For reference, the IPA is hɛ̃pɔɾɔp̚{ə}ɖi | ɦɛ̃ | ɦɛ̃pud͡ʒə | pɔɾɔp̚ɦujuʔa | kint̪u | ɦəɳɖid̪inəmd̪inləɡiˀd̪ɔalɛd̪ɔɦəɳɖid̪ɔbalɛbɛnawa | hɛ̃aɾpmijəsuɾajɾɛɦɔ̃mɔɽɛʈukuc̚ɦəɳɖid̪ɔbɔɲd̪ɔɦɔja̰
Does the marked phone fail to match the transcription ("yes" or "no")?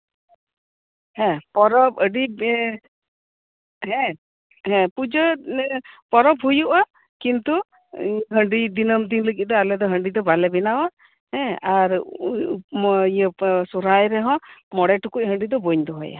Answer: no